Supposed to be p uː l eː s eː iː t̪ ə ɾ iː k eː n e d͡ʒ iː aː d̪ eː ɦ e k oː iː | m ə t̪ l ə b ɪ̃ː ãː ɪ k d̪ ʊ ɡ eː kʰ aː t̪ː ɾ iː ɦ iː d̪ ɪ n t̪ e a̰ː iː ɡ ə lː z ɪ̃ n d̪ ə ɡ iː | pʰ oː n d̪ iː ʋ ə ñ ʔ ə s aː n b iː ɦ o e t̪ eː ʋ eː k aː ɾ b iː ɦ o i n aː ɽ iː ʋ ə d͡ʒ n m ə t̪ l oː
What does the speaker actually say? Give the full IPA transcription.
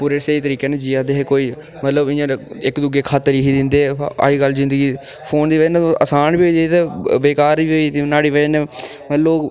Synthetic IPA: p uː ɾ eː s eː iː t̪ ə ɾ iː k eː n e d͡ʒ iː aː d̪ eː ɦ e k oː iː | m ə t̪ l ə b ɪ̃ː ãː ɪ k d̪ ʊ ɡ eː kʰ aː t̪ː ɾ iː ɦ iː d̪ ɪ n d̪ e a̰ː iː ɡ ə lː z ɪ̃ n d̪ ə ɡ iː | pʰ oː n d̪ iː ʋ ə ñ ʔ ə s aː n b iː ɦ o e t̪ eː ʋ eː k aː ɾ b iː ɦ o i n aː ɽ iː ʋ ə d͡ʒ n m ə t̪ l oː